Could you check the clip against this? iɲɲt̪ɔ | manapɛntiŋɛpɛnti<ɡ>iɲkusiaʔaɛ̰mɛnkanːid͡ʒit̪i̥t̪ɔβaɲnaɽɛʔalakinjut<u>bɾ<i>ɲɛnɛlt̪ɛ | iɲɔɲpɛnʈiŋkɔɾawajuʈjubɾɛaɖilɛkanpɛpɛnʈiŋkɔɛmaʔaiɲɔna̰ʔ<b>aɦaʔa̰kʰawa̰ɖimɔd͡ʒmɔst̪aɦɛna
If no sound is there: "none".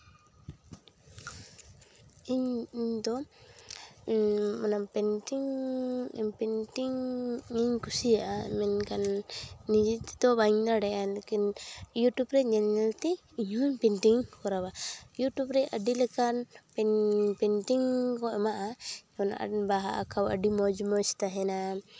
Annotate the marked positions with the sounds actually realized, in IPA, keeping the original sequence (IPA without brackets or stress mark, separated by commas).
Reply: ŋ, u, ɛ, b